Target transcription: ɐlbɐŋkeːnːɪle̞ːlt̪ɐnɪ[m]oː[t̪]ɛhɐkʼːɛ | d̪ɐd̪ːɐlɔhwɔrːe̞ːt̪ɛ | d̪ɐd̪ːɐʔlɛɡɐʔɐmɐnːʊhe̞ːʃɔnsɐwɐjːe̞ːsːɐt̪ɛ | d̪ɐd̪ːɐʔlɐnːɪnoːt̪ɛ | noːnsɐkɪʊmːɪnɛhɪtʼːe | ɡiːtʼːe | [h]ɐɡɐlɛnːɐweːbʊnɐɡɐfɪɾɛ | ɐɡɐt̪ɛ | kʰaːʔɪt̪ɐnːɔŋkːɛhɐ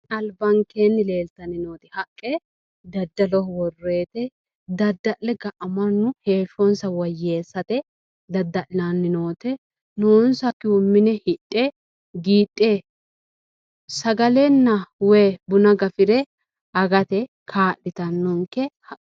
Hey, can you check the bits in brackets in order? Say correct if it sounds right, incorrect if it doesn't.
incorrect: n, correct, incorrect: s

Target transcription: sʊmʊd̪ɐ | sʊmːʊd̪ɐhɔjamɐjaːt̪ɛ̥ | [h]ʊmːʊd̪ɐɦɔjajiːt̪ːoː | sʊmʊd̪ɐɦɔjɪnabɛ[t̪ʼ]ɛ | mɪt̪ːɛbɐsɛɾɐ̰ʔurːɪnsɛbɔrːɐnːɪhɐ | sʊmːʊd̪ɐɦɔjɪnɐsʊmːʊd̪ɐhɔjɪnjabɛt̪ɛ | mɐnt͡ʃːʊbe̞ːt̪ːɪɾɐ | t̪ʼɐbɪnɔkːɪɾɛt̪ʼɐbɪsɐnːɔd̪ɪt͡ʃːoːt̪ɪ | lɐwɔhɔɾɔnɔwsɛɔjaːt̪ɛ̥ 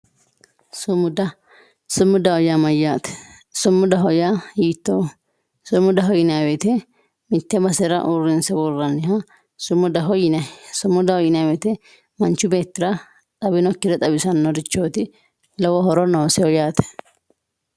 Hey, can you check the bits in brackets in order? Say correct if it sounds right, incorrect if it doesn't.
incorrect: s, incorrect: t̪

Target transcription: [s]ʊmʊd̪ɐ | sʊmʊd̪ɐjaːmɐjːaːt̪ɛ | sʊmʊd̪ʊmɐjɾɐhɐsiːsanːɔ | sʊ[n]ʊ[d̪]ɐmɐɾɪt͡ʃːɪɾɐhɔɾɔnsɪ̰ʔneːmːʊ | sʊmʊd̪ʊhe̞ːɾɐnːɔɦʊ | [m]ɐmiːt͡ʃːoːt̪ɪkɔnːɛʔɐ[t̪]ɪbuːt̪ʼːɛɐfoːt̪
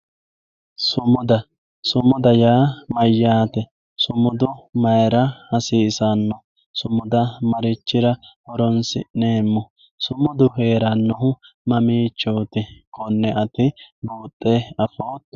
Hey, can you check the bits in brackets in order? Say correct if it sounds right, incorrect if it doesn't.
correct, incorrect: m, correct, correct, correct

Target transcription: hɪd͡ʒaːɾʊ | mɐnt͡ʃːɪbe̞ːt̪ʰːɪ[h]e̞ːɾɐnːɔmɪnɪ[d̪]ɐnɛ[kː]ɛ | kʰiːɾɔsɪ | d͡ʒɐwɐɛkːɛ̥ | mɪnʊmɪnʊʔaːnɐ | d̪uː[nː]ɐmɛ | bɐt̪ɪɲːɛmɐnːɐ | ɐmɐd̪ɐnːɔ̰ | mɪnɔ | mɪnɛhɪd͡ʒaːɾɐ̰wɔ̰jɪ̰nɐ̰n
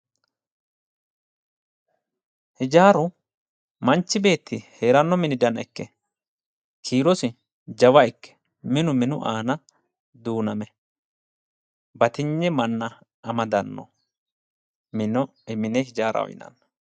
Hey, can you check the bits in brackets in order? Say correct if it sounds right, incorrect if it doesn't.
correct, correct, correct, incorrect: n

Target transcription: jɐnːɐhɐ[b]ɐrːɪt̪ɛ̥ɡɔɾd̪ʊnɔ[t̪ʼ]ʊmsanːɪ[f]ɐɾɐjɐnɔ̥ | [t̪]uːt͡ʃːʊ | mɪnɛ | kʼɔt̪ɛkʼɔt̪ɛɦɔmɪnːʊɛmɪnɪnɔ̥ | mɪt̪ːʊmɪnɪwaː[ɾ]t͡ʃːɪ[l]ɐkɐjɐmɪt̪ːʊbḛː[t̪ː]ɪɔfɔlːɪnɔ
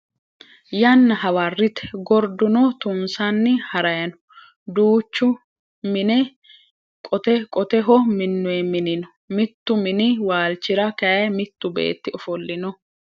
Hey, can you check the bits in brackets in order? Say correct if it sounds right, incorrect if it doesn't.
incorrect: w, incorrect: t̪, incorrect: h, incorrect: d̪, incorrect: l, incorrect: ɾ, correct

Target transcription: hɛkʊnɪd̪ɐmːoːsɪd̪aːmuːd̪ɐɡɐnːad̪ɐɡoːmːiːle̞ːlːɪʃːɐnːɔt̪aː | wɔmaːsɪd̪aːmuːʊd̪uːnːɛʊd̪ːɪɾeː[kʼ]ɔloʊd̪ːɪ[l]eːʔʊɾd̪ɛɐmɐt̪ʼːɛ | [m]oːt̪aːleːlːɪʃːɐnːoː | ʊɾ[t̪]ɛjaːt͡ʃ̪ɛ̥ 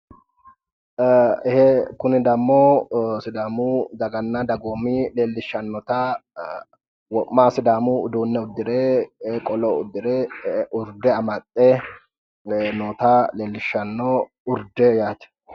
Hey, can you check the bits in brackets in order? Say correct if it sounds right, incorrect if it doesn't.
correct, incorrect: ɾ, incorrect: n, incorrect: d̪

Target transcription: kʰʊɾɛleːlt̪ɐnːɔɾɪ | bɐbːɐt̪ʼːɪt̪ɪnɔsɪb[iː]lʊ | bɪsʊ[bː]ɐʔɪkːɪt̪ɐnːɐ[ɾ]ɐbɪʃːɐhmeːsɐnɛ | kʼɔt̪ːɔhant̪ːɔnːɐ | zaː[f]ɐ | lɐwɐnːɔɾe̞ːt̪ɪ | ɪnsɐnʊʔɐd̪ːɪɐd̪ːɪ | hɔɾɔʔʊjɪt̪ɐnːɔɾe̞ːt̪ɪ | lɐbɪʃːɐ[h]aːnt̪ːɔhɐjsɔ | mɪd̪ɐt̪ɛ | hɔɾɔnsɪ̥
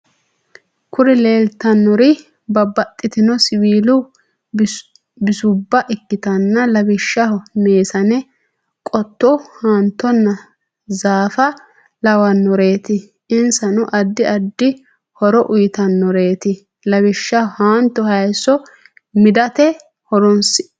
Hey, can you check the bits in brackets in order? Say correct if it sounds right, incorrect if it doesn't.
correct, correct, incorrect: l, correct, correct

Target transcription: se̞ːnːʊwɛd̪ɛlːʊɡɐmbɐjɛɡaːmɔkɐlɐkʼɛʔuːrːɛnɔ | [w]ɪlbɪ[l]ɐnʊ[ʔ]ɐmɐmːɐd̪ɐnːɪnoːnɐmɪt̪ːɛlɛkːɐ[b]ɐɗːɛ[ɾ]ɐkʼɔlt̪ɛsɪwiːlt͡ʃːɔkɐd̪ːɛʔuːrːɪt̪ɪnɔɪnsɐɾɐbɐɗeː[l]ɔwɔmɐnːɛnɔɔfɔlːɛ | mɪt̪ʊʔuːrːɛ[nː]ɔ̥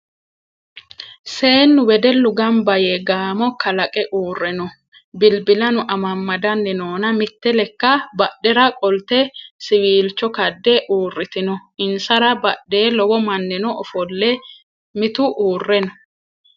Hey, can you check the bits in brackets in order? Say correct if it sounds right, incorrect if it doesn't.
incorrect: b, correct, correct, correct, correct, correct, incorrect: n

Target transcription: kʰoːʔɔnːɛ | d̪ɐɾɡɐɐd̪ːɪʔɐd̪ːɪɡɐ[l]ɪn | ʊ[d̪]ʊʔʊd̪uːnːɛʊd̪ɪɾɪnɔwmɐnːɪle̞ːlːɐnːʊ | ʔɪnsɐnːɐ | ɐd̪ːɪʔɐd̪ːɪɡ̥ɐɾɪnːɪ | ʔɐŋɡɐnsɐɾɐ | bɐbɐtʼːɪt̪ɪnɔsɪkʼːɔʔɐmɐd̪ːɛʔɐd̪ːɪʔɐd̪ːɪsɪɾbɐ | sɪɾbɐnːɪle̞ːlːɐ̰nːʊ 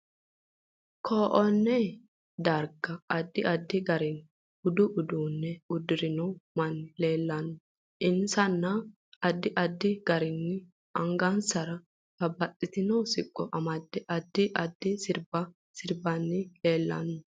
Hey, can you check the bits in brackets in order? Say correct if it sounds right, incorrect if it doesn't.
incorrect: ɾ, correct

